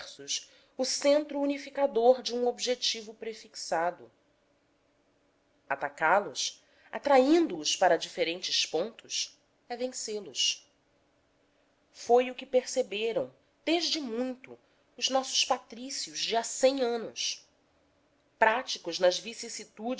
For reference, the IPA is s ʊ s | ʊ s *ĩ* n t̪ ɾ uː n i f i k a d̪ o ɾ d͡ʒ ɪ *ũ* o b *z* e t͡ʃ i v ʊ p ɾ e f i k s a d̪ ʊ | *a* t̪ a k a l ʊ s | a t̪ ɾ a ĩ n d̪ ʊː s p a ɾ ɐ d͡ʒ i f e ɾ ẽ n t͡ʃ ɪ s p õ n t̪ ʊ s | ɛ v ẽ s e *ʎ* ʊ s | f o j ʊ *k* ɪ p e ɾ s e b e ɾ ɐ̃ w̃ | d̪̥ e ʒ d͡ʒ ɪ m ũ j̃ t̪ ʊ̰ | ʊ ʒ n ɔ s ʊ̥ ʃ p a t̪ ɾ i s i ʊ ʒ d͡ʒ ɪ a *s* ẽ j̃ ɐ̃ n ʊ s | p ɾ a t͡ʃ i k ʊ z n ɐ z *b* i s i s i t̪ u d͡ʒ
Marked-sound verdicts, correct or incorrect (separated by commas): incorrect, correct, incorrect, correct, incorrect, correct, correct, incorrect